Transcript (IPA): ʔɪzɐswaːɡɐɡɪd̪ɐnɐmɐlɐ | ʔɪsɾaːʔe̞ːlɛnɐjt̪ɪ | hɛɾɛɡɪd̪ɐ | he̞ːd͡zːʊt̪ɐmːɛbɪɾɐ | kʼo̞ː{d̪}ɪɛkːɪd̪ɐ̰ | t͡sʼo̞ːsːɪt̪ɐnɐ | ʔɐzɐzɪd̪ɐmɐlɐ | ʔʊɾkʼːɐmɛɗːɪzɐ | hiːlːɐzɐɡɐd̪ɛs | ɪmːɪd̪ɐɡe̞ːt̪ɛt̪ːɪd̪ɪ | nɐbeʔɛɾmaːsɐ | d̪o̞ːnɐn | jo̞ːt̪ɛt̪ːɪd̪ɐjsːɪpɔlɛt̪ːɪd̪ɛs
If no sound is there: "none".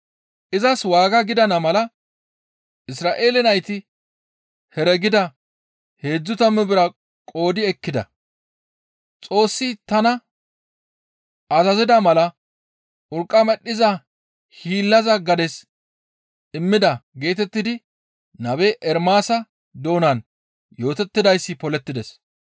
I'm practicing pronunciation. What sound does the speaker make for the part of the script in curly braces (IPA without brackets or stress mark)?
d̪